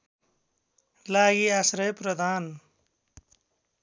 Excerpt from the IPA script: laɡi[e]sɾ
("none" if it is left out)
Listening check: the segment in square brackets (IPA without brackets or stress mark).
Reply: a